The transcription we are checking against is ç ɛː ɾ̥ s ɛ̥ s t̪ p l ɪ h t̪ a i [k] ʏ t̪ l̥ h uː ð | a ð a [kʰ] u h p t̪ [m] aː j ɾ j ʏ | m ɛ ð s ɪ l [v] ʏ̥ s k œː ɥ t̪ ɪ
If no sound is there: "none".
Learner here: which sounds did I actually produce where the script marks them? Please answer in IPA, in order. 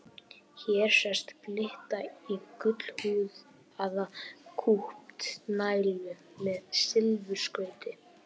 k, kʰ, n, v

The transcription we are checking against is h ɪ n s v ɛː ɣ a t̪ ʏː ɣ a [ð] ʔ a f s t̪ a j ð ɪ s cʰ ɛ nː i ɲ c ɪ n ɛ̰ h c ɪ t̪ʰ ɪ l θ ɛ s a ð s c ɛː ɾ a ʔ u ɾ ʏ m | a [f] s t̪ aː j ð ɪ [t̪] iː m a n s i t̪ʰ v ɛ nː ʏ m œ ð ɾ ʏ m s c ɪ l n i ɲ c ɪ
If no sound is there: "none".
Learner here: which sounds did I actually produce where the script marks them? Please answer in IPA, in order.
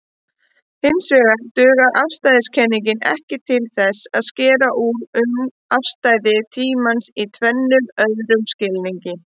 ð, f, t̪ʰ

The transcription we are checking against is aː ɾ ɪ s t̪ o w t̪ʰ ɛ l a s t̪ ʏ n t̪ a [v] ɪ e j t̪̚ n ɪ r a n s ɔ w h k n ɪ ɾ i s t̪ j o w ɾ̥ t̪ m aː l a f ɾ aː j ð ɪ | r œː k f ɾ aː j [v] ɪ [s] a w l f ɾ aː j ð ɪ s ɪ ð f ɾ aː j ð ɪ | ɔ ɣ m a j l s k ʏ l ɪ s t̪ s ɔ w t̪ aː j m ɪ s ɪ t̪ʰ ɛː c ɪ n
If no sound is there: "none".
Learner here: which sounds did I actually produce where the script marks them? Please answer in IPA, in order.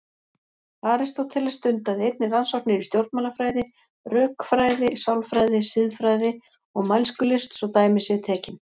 ð, ð, s

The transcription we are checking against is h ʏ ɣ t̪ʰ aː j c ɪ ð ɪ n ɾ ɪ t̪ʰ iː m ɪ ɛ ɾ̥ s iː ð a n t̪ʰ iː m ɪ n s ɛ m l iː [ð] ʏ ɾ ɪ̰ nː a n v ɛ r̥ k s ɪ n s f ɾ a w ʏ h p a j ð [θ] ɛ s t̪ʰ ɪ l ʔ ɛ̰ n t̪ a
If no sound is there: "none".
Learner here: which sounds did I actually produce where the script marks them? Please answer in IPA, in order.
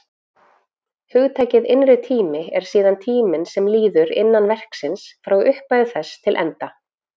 ð, θ

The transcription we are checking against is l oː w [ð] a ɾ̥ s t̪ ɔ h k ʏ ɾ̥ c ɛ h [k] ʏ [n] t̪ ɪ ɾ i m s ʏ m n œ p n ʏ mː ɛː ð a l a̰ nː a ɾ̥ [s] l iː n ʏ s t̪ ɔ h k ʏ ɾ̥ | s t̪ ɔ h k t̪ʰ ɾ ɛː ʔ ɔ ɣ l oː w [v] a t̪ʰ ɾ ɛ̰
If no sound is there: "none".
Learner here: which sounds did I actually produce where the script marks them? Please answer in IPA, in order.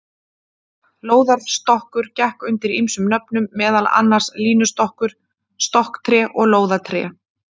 ð, k, n, s, ð

